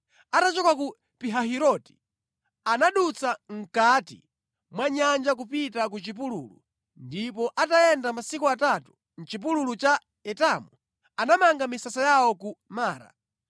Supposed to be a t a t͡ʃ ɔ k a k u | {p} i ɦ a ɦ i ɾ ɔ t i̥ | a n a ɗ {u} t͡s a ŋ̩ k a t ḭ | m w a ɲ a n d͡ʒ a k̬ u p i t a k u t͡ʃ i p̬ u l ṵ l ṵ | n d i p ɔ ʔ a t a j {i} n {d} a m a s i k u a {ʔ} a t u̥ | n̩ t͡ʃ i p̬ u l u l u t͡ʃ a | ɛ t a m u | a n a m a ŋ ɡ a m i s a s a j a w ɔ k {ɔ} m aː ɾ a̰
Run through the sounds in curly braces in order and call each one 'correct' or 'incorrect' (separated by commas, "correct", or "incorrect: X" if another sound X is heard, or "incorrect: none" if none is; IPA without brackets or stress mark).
correct, correct, incorrect: ɛ, correct, incorrect: t, incorrect: u